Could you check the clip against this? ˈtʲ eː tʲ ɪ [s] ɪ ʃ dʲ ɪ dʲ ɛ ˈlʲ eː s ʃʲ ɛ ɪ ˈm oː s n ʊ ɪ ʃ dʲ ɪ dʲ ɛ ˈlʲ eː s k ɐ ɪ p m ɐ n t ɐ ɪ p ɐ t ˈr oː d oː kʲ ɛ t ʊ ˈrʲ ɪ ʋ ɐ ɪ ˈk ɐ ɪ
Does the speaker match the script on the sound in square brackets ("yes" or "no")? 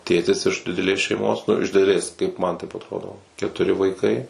yes